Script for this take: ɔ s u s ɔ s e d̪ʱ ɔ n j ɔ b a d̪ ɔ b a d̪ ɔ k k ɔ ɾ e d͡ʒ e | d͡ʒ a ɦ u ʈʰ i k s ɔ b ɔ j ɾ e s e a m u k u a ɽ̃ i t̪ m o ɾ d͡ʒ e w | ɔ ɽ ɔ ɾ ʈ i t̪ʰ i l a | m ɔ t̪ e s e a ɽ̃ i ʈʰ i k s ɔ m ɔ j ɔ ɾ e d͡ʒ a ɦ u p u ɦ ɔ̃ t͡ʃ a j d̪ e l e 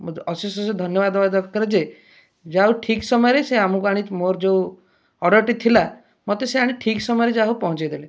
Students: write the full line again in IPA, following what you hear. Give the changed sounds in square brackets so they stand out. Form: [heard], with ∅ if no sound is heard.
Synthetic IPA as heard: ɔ s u s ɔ s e d̪ʱ ɔ n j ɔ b a d̪ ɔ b a d̪ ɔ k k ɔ ɾ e d͡ʒ e | d͡ʒ a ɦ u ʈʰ i k s ɔ [m] ɔ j ɾ e s e a m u k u a ɽ̃ i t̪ m o ɾ d͡ʒ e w | ɔ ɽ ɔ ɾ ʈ i t̪ʰ i l a | m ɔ t̪ e s e a ɽ̃ i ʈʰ i k s ɔ m ɔ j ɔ ɾ e d͡ʒ a ɦ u p [ɔ] ɦ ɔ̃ t͡ʃ a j d̪ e l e